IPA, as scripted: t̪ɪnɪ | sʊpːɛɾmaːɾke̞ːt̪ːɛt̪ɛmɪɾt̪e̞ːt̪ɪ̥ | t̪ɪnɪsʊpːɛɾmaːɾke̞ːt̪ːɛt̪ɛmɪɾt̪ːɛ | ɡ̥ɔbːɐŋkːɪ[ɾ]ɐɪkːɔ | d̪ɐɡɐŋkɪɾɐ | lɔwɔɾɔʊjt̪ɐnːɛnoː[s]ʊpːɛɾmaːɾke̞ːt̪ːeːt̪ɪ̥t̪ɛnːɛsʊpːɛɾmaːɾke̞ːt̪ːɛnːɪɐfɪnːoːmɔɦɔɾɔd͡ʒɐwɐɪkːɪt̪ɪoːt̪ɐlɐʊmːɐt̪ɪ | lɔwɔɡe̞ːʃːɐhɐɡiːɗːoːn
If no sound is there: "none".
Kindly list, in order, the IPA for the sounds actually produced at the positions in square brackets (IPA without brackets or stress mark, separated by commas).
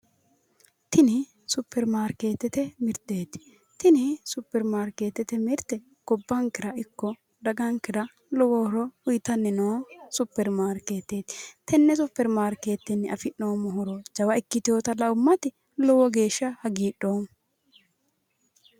ɾ, s